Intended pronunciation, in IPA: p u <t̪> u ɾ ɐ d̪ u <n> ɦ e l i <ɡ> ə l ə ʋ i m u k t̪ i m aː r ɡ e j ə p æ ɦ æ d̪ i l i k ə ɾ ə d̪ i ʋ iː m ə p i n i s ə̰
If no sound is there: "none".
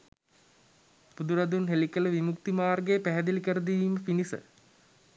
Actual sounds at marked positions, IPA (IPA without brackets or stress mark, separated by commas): d̪, n, k